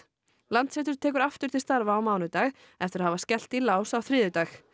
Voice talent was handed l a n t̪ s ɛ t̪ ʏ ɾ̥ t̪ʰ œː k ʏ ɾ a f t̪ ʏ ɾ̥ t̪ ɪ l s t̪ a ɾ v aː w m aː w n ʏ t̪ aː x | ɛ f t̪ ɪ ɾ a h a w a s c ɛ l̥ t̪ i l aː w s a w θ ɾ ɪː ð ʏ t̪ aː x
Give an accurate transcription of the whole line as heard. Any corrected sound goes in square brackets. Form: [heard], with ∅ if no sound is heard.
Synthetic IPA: l a n t̪ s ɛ t̪ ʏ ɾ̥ t̪ʰ [ɛː] k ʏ ɾ a f t̪ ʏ ɾ̥ t̪ ɪ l s t̪ a ɾ v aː w m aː w n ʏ t̪ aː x | ɛ f t̪ ɪ ɾ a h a [v] a s c ɛ l̥ t̪ i l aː w s a w θ ɾ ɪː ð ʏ t̪ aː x